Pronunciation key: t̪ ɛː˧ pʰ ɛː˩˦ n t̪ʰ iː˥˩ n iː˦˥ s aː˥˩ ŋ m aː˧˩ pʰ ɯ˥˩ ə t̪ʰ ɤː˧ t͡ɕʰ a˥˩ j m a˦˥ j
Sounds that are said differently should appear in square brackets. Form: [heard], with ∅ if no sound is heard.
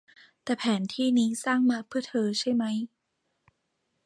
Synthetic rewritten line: t̪ [ɛː˨˩] pʰ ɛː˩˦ n t̪ʰ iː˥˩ n iː˦˥ s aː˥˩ ŋ m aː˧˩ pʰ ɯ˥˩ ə t̪ʰ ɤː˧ t͡ɕʰ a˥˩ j m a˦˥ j